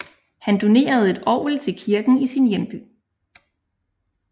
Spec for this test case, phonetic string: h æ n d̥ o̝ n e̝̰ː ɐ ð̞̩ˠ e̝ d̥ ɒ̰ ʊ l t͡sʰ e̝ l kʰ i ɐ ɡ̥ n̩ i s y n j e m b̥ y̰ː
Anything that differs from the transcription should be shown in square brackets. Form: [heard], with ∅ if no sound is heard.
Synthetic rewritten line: h æ n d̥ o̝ n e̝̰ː ɐ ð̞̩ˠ e̝ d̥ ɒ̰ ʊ l t͡sʰ e̝ l kʰ i ɐ ɡ̥ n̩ i s [i] n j e m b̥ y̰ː